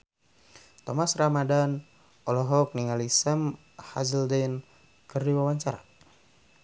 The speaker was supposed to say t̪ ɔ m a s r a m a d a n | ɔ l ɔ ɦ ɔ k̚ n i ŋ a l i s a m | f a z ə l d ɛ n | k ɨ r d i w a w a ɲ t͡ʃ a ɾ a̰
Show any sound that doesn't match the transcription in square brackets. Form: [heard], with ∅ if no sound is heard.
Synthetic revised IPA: t̪ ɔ m a s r a m a d a n | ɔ l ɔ ɦ ɔ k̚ n i ŋ a l i s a m | [h] a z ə l d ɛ n | k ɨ r d i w a w a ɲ t͡ʃ a ɾ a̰